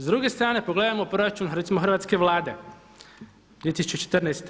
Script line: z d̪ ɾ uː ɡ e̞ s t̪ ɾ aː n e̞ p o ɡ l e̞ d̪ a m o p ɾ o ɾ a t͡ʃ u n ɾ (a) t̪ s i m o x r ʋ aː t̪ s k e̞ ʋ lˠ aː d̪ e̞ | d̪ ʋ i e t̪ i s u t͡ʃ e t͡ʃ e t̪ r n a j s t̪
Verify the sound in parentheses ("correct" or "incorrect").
incorrect